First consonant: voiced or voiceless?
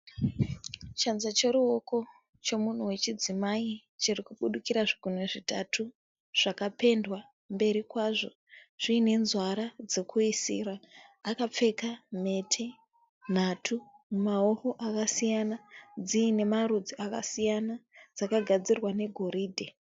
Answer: voiceless